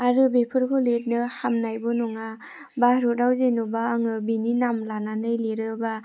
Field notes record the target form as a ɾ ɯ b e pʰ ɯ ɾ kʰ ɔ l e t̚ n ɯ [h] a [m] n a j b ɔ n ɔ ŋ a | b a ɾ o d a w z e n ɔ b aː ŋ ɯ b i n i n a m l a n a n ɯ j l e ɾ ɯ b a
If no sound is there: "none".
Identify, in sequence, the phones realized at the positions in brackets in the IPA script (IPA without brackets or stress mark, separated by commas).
h, m